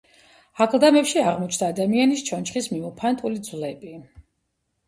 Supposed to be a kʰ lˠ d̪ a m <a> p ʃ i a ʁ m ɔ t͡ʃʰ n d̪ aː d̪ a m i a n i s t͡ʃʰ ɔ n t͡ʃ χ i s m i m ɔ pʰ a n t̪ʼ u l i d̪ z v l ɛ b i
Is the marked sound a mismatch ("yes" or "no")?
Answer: yes